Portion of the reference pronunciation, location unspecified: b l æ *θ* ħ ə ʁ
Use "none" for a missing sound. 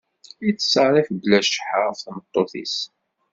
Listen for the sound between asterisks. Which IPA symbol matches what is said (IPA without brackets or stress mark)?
ʃ